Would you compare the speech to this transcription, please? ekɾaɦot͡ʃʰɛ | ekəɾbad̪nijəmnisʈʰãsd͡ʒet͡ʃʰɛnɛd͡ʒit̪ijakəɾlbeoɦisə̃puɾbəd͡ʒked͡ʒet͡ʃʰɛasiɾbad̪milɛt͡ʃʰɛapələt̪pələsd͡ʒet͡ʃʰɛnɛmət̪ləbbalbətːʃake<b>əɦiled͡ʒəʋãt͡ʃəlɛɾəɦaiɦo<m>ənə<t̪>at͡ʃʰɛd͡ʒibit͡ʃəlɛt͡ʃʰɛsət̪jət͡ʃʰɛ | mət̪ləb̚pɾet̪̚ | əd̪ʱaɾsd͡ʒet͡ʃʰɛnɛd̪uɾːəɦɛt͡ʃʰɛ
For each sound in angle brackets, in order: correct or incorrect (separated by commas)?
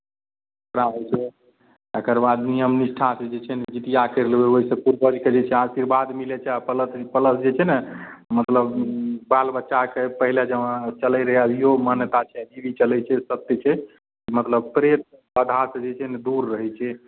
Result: incorrect, correct, correct